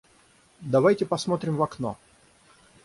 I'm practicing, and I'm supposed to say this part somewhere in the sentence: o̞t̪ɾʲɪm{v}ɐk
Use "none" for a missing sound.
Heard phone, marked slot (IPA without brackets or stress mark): v